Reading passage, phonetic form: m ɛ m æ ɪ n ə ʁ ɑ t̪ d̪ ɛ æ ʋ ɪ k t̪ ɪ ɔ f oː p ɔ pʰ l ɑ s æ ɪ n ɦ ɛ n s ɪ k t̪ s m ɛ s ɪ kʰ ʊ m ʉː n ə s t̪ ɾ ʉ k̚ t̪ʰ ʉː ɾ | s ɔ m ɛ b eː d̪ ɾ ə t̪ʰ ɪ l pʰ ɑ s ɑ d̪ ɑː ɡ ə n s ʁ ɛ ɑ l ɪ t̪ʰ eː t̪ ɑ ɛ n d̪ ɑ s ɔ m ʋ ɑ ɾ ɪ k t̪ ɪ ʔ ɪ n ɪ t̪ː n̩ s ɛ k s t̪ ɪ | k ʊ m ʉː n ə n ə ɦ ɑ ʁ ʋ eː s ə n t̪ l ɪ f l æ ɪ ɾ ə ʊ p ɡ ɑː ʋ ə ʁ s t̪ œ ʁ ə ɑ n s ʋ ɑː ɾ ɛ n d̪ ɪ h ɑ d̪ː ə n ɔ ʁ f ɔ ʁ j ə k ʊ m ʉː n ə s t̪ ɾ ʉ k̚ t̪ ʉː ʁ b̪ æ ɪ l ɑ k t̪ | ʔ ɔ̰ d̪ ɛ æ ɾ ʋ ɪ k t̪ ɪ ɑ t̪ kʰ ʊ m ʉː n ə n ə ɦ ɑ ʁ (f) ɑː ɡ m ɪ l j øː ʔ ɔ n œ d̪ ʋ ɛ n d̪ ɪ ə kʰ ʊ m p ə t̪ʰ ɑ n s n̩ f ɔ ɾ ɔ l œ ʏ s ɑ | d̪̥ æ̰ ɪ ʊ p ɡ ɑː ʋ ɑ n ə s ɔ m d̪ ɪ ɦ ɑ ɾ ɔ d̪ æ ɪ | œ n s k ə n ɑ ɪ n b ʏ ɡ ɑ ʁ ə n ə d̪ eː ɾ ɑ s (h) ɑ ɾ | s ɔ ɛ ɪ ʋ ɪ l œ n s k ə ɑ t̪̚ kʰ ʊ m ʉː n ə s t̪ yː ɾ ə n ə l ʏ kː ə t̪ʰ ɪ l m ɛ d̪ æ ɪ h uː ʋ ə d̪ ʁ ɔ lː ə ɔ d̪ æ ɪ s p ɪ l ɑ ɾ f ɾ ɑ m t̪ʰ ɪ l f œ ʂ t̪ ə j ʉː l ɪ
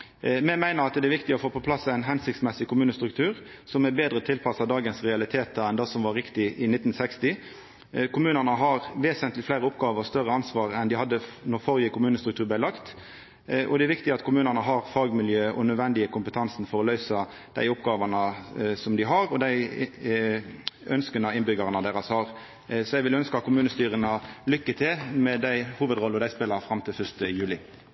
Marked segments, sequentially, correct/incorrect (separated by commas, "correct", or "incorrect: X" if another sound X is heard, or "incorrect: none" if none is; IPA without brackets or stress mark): correct, correct